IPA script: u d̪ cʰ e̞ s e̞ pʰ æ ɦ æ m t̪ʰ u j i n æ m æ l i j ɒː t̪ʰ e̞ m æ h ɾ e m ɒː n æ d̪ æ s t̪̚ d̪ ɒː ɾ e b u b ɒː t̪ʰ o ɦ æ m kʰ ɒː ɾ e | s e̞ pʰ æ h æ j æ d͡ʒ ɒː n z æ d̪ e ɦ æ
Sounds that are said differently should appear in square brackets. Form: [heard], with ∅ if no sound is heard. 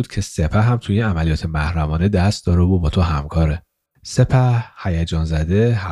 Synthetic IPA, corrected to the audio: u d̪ cʰ e̞ s e̞ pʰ æ ɦ æ m t̪ʰ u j i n æ m æ l i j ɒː t̪ʰ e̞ m æ h ɾ [æ] m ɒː n [e] d̪ æ s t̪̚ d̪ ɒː ɾ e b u b ɒː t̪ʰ o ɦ æ m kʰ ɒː ɾ e | s e̞ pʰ æ h æ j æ d͡ʒ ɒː n z æ d̪ e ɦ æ